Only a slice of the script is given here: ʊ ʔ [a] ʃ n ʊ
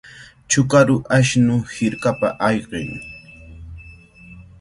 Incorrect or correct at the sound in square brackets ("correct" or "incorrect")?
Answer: correct